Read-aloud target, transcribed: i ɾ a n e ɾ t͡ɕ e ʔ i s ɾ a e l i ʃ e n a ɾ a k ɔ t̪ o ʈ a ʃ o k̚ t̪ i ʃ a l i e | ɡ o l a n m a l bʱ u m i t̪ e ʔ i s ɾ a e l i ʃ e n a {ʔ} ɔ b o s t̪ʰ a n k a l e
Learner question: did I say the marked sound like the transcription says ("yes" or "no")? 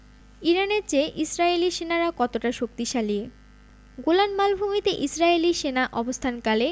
yes